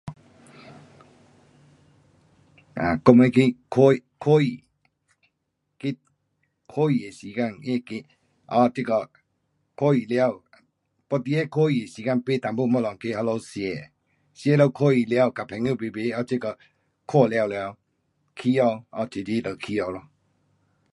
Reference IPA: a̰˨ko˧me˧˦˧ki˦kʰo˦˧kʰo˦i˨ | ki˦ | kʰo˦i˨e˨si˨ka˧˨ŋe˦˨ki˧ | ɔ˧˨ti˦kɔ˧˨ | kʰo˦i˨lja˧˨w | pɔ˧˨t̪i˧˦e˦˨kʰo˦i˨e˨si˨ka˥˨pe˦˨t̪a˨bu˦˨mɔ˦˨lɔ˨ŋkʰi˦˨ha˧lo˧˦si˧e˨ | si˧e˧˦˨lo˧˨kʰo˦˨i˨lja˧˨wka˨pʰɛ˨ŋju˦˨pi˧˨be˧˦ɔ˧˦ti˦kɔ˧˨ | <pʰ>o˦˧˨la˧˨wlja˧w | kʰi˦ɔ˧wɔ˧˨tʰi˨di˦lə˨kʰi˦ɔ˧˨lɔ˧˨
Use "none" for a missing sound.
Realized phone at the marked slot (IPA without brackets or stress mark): kʰ